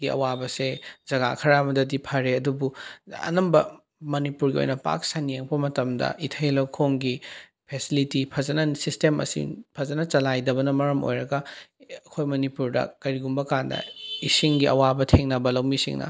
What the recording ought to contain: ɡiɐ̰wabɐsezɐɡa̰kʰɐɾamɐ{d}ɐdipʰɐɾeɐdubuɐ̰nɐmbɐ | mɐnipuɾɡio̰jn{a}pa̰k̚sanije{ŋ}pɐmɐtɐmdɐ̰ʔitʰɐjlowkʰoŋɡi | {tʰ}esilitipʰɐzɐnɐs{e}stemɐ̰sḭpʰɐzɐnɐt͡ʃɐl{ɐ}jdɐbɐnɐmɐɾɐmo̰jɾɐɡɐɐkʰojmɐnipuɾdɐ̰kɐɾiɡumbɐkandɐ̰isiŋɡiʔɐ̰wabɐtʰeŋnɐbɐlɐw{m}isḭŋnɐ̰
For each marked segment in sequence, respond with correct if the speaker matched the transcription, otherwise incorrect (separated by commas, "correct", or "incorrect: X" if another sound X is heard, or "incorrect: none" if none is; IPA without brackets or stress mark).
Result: correct, incorrect: ɐ, correct, incorrect: pʰ, incorrect: i, incorrect: a, correct